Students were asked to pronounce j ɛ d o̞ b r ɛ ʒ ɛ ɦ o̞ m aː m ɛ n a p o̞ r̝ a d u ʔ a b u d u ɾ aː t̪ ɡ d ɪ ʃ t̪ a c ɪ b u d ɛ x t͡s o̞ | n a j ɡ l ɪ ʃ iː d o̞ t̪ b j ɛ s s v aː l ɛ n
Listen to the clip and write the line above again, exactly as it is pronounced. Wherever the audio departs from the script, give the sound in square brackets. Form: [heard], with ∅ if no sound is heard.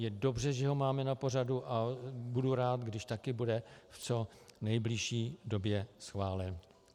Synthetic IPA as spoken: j ɛ d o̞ b r ɛ ʒ ɛ ɦ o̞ m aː m ɛ n a p o̞ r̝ a d u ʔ a b u d u ɾ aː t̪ ɡ d ɪ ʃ t̪ a [k] ɪ b u d ɛ [f] t͡s o̞ | n [ɛ] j [b] l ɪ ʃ iː d o̞ [∅] b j ɛ s [x] v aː l ɛ n

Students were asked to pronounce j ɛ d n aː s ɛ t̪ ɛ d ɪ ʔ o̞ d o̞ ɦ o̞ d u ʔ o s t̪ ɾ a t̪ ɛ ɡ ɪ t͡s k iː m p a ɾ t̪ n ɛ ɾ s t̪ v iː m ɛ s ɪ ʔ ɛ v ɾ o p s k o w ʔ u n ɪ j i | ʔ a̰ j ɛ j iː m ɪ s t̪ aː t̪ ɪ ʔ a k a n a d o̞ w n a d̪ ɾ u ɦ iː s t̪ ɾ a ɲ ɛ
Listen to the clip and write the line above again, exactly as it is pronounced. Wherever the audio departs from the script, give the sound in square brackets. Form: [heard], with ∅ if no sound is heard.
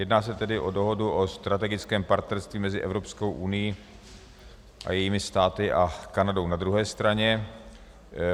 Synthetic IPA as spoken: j ɛ d n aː s ɛ t̪ ɛ d ɪ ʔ o̞ d o̞ ɦ o̞ d u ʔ o s t̪ ɾ a t̪ ɛ ɡ ɪ t͡s k [ɛː] m p a ɾ t̪ n ɛ ɾ s t̪ v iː m ɛ [z] ɪ ʔ ɛ v ɾ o p s k o w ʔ u n ɪ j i | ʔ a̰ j ɛ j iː m ɪ s t̪ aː t̪ ɪ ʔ a k a n a d o̞ w n a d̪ ɾ u ɦ [ɛː] s t̪ ɾ a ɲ ɛ

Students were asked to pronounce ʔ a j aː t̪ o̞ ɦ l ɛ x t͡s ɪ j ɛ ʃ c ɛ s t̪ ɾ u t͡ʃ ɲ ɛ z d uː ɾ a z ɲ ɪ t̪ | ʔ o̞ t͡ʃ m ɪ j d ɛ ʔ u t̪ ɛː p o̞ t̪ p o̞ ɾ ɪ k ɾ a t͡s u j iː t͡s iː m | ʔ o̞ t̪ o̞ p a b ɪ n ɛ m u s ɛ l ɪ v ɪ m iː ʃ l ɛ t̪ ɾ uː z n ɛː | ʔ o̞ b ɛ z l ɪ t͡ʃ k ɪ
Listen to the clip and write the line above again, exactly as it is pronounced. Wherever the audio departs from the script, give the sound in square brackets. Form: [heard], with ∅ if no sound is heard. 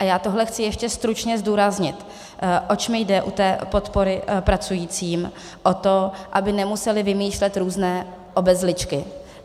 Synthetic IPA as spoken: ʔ a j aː t̪ o̞ ɦ l ɛ x t͡s ɪ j ɛ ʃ c ɛ s t̪ ɾ u t͡ʃ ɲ ɛ z d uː ɾ a z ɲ ɪ t̪ | ʔ o̞ t͡ʃ m ɪ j d ɛ ʔ u t̪ ɛː p o̞ t̪ p o̞ ɾ ɪ [p] ɾ a t͡s u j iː t͡s iː m | ʔ o̞ t̪ o̞ [ʔ] a b ɪ n ɛ m u s ɛ l ɪ v ɪ m iː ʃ l ɛ t̪ ɾ uː z n ɛː | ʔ o̞ b ɛ z l ɪ t͡ʃ k ɪ

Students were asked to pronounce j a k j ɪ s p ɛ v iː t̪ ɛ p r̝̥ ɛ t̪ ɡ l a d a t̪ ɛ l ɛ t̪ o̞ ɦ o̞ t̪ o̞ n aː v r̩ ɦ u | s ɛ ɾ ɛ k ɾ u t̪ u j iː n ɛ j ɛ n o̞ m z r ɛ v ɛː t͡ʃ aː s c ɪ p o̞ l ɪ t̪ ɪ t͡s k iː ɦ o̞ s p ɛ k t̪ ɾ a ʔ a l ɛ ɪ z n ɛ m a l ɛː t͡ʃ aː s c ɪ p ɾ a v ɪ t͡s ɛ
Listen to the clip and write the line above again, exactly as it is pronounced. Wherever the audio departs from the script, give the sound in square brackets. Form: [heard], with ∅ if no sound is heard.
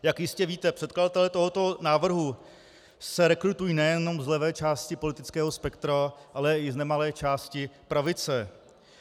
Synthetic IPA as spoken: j a k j ɪ s [c] ɛ v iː t̪ ɛ p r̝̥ ɛ t̪ [k] l a d a t̪ ɛ l ɛ t̪ o̞ ɦ o̞ t̪ o̞ n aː v r̩ ɦ u | s ɛ ɾ ɛ k ɾ u t̪ u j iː n ɛ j ɛ n o̞ m z [l] ɛ v ɛː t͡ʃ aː s c ɪ p o̞ l ɪ t̪ ɪ t͡s k [ɛː] ɦ o̞ s p ɛ k t̪ ɾ a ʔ a l ɛ ɪ z n ɛ m a l ɛː t͡ʃ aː s c ɪ p ɾ a v ɪ t͡s ɛ

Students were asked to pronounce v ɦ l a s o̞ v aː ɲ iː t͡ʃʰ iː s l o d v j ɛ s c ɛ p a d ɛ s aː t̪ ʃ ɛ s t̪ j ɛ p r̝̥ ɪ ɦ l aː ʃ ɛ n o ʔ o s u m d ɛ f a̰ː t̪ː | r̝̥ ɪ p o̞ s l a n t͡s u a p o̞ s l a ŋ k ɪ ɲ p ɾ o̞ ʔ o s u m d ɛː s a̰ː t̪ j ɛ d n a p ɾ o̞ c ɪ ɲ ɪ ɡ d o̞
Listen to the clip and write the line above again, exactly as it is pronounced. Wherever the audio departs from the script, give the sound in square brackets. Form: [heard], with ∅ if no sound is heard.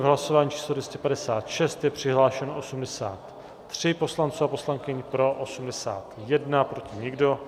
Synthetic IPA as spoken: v ɦ l a s o̞ v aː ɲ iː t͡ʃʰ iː s l o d v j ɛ s c ɛ p a d ɛ s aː t̪ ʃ ɛ s t̪ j ɛ p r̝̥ ɪ ɦ l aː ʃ ɛ n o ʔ o s u m d ɛ [s] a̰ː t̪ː | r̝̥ ɪ p o̞ s l a n t͡s u a p o̞ s l a ŋ k ɪ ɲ p ɾ o̞ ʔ o s u m d [ɛ] s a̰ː t̪ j ɛ d n a p ɾ o̞ c ɪ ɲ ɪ ɡ d o̞

